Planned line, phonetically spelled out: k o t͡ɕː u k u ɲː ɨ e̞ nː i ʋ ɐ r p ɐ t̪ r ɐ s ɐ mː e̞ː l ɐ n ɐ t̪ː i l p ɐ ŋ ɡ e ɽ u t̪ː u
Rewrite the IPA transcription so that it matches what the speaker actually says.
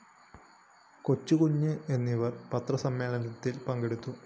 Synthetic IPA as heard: k o t͡ɕː u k u ɲː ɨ e̞ nː i ʋ ɐ r p ɐ t̪ r ɐ s ɐ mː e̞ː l ɐ n ɐ t̪ː i l p ɐ ŋ ɡ e ɽ u t̪ː u